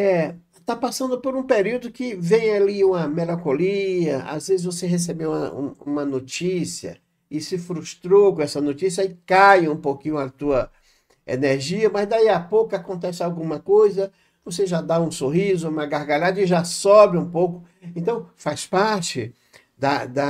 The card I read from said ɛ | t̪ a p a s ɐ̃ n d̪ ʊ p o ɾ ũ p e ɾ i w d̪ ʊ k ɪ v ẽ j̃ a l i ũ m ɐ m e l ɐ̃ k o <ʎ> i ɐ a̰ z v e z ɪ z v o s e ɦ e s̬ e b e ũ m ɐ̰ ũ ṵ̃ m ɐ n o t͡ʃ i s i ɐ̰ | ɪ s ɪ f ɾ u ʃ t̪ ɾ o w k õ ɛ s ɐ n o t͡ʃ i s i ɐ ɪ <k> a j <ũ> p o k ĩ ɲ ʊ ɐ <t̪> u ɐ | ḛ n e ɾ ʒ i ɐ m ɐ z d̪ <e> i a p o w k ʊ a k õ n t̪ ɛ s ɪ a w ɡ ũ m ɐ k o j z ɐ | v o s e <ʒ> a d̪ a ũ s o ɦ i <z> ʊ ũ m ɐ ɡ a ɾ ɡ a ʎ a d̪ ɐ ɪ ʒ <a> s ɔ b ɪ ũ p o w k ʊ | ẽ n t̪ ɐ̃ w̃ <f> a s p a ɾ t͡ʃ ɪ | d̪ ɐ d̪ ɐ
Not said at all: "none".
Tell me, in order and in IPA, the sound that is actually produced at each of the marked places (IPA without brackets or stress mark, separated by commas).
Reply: l, k, ũ, t̪, a, ʒ, z, a, f